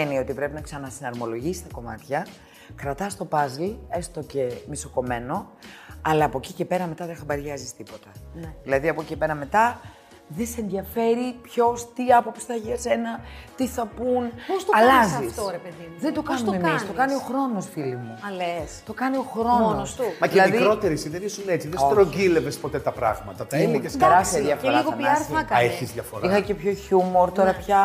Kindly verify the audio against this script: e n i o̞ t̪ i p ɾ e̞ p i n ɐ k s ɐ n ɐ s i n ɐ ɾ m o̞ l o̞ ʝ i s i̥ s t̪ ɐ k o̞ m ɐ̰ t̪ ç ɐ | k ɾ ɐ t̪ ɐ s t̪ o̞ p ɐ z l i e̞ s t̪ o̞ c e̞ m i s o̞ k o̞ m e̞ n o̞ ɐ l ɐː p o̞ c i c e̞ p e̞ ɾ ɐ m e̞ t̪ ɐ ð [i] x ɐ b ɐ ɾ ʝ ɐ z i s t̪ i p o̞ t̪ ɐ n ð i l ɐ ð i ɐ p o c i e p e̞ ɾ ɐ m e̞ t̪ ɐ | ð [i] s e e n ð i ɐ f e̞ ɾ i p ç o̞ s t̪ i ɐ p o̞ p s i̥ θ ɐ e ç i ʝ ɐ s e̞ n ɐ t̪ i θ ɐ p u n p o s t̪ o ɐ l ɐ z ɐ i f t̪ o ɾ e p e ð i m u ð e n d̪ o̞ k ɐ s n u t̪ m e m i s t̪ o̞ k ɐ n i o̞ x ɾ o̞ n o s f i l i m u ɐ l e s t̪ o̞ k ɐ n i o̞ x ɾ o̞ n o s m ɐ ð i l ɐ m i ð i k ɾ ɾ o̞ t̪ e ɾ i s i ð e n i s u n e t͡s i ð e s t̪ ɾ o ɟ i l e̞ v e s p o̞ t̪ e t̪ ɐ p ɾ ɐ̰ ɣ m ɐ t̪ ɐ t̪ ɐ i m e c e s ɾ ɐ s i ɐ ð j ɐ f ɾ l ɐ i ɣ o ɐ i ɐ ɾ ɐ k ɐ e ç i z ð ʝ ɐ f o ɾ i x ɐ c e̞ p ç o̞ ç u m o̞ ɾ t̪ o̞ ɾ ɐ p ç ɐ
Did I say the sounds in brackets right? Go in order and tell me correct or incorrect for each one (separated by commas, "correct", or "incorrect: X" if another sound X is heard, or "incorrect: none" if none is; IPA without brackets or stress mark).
incorrect: e, incorrect: e